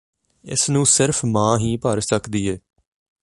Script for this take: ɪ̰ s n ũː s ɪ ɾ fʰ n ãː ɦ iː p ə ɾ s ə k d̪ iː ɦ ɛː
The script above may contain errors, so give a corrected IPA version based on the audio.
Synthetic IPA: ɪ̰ s n ũː s ɪ ɾ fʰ m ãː ɦ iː p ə ɾ s ə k d̪ iː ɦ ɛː